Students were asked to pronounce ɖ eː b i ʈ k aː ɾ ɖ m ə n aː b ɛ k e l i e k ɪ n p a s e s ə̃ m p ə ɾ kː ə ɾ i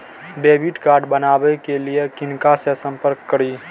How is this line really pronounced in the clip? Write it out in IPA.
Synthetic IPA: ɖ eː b i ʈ k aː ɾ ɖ b ə n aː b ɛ k e l i e k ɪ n k a s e s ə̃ m p ə ɾ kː ə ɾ i